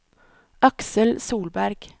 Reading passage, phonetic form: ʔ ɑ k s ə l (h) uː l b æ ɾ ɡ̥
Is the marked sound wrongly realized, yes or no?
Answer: yes